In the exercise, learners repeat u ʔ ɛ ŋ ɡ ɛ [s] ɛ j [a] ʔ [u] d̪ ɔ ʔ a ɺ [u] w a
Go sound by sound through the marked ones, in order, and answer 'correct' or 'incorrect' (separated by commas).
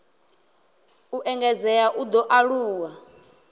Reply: incorrect, correct, correct, incorrect